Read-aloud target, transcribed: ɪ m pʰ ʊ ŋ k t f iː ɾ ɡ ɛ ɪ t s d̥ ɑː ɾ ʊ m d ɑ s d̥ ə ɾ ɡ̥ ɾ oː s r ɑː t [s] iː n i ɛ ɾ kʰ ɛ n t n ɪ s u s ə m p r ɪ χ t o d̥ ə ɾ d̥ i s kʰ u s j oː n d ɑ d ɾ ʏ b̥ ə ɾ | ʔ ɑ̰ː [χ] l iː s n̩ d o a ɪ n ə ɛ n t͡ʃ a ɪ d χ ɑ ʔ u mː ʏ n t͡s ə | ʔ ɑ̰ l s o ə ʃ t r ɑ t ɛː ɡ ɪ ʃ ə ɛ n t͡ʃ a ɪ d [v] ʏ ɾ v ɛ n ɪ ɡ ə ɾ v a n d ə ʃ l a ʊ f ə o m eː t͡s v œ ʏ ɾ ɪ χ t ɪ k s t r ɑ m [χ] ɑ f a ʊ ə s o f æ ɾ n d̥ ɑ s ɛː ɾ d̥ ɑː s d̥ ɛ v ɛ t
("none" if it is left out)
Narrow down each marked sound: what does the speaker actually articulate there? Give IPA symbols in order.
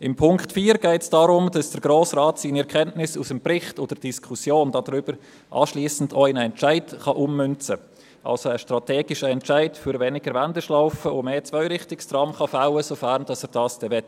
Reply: s, ʃ, f, χ

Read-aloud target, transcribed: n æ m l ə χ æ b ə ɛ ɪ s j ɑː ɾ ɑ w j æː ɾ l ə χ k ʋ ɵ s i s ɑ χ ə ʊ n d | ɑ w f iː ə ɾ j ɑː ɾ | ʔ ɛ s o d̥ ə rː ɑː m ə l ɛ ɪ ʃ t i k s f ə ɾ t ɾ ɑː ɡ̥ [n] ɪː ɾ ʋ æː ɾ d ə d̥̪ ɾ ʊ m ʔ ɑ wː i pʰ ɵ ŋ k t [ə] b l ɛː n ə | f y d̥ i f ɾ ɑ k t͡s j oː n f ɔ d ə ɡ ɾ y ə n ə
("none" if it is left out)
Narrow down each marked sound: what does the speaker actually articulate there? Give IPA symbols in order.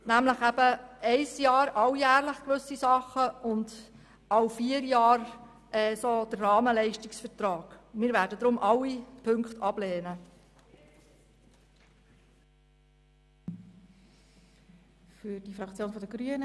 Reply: m, ɑ

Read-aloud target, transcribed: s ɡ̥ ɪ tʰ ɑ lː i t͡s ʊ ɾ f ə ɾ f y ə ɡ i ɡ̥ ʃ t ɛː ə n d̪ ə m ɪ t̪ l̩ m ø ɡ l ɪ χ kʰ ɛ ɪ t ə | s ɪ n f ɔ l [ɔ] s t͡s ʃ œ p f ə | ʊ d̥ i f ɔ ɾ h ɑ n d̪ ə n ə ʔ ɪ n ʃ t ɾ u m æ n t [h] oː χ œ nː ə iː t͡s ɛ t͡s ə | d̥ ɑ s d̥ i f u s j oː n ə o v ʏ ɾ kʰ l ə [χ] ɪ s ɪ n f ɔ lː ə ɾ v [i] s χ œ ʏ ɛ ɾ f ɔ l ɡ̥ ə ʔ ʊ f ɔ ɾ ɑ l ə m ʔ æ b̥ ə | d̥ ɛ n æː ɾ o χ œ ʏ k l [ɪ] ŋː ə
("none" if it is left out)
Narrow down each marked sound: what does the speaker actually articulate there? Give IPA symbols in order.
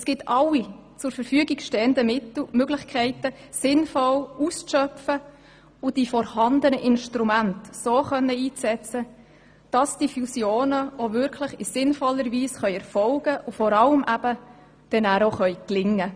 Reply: u, s, χ, iː, ɪ

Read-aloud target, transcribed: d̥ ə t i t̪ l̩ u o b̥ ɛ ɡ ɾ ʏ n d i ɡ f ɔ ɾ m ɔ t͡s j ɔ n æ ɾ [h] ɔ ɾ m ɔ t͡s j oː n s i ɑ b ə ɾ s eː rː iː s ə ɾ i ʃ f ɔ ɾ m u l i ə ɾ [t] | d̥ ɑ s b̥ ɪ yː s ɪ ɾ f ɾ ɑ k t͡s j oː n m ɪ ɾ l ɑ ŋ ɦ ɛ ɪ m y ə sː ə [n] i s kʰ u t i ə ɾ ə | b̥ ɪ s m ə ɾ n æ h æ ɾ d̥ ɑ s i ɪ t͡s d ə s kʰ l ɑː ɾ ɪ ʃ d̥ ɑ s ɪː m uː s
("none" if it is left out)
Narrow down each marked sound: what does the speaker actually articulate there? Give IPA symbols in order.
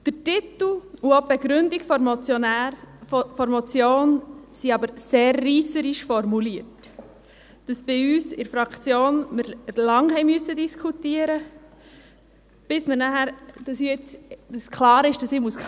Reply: f, t, d

